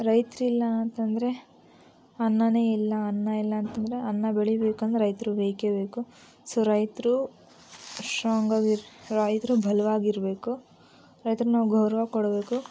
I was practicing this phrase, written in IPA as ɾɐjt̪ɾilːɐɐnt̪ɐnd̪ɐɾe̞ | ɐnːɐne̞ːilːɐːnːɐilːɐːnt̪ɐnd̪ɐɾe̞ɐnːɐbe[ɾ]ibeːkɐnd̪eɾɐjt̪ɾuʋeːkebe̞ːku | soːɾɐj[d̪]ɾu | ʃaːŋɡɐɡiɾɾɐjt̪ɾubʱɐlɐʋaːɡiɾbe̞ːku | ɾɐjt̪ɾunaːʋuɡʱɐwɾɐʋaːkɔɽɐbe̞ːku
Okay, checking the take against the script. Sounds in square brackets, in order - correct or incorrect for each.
incorrect: ɭ, incorrect: t̪

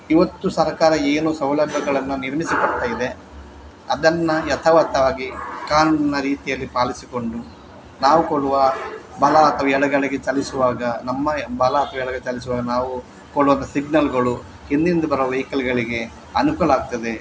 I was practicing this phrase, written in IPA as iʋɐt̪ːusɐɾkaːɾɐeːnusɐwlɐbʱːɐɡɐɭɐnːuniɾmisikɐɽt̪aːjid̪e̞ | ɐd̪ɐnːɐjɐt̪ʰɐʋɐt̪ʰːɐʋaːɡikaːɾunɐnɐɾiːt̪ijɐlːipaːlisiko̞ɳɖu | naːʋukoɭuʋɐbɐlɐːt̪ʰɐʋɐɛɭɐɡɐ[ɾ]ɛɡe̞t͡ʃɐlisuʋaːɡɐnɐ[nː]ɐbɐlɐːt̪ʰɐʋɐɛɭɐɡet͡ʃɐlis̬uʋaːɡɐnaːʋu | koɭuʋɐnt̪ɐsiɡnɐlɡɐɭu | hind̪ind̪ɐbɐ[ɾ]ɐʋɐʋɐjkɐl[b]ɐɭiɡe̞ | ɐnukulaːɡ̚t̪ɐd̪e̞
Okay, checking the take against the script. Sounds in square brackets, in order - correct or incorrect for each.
incorrect: ɭ, incorrect: mː, correct, incorrect: ɡ

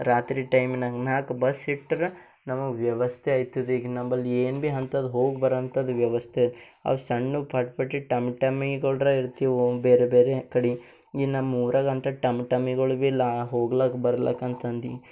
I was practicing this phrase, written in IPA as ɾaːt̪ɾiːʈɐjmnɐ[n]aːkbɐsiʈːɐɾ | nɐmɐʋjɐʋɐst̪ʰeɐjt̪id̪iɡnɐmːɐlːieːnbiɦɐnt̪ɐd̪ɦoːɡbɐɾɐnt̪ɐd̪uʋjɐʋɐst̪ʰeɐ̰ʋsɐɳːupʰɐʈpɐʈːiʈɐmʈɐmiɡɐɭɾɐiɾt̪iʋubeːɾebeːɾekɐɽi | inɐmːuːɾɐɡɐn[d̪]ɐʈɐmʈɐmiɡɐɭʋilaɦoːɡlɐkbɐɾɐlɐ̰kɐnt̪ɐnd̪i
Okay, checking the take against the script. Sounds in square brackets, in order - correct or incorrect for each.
correct, incorrect: t̪

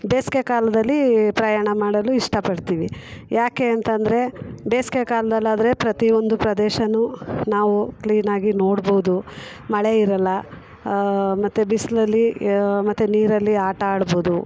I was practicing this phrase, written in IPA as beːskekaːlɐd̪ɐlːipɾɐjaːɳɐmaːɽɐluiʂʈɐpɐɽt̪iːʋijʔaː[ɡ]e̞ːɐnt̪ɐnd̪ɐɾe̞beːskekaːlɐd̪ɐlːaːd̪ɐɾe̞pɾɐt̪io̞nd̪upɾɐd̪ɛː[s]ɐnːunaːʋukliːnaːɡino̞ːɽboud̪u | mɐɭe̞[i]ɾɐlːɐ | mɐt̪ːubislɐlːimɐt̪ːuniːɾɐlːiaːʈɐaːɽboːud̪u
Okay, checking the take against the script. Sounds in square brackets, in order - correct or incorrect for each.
incorrect: k, incorrect: ʃ, correct

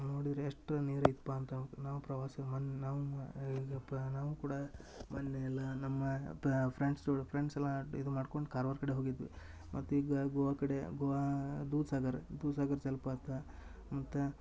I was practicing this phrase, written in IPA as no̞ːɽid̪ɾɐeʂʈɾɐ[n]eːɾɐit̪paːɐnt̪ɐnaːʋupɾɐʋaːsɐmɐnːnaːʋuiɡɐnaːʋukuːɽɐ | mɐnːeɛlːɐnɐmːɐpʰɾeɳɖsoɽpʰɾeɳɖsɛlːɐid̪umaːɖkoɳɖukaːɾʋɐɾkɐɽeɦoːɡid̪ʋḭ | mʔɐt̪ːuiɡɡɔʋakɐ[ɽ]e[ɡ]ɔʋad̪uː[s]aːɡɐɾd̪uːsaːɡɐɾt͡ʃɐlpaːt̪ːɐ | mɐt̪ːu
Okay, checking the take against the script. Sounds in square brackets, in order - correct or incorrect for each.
correct, correct, correct, correct

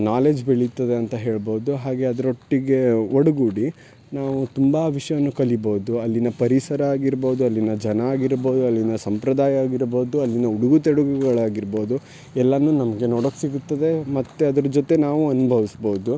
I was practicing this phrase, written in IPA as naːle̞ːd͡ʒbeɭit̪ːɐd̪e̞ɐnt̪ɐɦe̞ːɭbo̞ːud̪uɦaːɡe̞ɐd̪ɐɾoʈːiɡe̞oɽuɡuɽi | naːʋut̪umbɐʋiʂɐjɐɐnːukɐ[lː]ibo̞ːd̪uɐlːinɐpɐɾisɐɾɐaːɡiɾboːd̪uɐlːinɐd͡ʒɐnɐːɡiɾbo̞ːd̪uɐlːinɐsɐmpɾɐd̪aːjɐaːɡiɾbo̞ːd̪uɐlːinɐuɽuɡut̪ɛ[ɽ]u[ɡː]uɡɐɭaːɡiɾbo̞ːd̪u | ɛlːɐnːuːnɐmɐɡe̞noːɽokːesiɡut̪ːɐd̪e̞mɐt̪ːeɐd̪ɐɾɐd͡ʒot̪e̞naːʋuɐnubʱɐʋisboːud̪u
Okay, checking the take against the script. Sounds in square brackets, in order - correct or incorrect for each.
incorrect: l, correct, incorrect: ɡ

